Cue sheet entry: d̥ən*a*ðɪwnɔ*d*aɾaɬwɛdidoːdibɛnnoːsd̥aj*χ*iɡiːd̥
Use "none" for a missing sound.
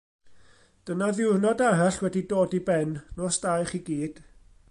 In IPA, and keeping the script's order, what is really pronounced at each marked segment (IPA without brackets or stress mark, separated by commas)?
a, d, χ